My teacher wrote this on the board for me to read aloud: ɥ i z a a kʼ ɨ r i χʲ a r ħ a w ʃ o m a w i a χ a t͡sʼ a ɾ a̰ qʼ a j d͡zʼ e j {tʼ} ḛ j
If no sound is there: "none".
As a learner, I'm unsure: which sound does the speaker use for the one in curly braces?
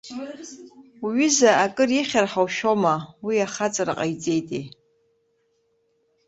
tʼ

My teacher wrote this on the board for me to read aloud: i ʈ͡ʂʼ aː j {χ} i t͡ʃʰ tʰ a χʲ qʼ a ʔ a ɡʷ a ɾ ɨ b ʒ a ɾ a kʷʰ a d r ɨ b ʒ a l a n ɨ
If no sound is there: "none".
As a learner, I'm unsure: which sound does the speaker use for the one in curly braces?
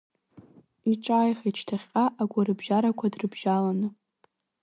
χ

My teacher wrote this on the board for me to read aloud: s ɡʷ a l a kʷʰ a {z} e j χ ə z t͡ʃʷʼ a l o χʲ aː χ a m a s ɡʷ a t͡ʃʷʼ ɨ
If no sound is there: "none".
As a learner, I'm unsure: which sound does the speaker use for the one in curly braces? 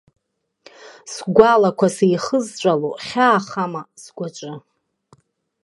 s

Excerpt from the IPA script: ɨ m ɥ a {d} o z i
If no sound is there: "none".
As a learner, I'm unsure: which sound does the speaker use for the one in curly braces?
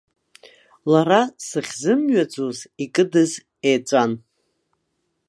d͡z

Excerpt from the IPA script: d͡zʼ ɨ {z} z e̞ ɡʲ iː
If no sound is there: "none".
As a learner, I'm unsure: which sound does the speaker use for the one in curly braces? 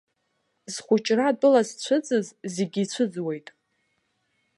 z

